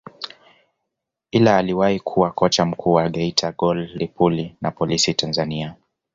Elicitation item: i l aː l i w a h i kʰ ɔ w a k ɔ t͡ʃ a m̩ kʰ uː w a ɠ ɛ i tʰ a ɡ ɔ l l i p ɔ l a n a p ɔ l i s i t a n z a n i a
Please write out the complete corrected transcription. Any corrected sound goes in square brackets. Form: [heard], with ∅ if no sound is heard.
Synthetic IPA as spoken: i l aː l i w a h i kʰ [u] w a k ɔ t͡ʃ a m̩ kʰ uː w a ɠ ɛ i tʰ a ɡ ɔ l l i p [u] l [i] n a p ɔ l i s i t a n z a n i a